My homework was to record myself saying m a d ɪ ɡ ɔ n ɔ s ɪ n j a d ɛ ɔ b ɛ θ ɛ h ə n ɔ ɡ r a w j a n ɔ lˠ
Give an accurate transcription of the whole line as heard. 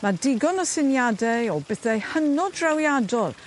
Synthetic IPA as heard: m a d ɪ ɡ ɔ n ɔ s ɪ n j a d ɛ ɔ b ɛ θ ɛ h ə n ɔ d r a w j a d ɔ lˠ